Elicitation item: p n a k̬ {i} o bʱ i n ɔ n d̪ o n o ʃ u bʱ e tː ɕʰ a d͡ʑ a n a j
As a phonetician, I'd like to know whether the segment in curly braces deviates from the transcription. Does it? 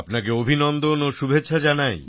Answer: yes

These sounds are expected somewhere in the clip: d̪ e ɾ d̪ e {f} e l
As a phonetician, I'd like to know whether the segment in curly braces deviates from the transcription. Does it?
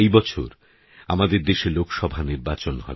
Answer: yes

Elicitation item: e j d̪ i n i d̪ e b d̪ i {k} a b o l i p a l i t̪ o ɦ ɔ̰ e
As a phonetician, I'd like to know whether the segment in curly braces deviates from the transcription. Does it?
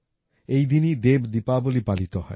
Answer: yes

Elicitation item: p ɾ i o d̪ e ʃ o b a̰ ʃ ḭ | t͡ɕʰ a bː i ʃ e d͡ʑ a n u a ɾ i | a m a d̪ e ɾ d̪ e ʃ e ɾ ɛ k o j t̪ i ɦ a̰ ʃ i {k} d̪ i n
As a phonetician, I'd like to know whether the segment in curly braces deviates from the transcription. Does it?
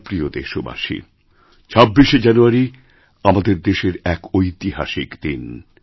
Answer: no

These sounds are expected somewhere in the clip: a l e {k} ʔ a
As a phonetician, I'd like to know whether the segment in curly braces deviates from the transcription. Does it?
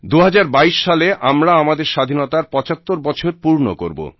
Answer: yes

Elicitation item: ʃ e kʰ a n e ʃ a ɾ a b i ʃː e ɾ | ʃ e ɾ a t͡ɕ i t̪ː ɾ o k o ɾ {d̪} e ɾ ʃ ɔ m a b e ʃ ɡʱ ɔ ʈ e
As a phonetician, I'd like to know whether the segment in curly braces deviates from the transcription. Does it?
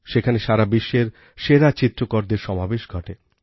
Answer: no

